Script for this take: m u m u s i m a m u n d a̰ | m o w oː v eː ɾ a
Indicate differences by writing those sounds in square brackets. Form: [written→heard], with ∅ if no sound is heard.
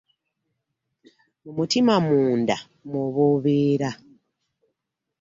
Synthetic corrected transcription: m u m u [s→t] i m a m [u→uː] n d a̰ | m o [w→β] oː [v→β] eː ɾ a